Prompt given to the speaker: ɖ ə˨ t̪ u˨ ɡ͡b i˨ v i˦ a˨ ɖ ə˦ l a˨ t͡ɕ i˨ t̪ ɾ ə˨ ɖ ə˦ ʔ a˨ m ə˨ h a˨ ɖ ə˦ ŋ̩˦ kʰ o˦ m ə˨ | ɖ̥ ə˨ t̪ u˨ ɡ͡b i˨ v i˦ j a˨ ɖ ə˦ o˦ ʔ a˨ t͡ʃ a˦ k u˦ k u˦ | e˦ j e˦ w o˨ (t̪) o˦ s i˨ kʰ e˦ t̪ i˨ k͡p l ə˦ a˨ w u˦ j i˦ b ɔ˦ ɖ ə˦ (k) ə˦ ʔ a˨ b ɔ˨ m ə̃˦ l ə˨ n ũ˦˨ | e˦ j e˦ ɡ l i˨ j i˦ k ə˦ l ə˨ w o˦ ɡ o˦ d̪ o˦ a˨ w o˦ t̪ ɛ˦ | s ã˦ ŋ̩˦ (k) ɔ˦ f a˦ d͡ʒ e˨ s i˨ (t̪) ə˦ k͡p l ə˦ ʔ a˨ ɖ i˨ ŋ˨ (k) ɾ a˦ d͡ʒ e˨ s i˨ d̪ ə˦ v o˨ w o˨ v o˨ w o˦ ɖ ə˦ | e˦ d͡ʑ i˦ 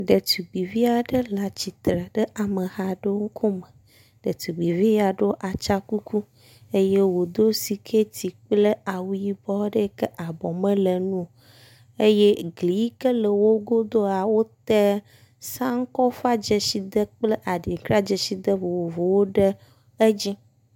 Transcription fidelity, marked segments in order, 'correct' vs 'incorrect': incorrect: d̪, correct, correct, incorrect: d̪, correct

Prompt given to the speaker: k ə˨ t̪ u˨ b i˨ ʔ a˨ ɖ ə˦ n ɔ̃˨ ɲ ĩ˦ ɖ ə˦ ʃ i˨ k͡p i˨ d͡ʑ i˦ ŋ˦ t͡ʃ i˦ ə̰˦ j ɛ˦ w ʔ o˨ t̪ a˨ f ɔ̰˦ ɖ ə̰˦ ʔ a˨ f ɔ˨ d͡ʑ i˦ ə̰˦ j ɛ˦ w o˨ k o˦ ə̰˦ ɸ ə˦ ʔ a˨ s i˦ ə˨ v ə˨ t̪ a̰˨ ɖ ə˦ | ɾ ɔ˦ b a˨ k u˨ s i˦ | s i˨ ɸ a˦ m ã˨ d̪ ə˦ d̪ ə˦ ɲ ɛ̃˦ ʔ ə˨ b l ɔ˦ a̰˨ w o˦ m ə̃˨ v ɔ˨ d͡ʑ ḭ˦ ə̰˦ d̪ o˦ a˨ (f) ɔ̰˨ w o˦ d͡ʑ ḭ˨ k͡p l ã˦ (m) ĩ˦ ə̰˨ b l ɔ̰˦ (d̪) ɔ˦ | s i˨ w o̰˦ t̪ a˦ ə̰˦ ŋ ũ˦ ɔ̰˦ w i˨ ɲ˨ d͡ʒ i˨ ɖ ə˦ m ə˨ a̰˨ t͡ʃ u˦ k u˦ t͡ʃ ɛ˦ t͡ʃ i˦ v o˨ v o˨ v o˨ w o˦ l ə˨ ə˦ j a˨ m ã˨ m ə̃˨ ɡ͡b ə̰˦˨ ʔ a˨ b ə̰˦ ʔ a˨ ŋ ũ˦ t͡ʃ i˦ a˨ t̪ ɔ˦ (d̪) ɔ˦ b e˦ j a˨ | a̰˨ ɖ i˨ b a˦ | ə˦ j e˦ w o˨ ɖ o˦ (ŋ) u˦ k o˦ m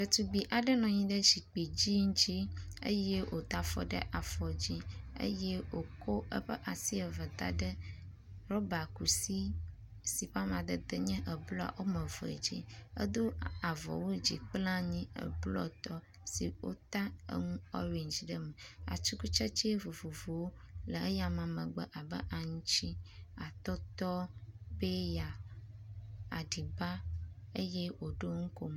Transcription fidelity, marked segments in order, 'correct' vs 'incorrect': incorrect: v, incorrect: ɲ, incorrect: t̪, incorrect: t̪, correct

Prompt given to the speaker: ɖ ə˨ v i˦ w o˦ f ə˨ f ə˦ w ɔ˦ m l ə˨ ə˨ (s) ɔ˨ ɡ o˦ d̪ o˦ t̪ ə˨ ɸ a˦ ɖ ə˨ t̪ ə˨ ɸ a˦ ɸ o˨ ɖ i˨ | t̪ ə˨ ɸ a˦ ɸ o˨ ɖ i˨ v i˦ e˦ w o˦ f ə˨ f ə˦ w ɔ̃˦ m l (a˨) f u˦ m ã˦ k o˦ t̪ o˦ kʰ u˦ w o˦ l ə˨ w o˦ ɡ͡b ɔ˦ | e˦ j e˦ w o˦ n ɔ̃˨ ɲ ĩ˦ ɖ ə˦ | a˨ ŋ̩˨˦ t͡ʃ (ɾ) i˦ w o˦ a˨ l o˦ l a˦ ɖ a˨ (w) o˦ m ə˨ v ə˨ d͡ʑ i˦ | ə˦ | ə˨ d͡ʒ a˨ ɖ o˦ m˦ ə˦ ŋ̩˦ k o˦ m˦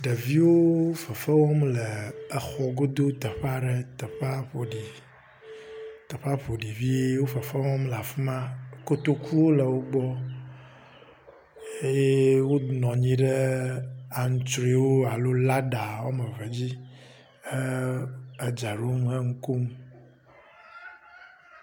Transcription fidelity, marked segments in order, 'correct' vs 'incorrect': incorrect: x, correct, correct, correct

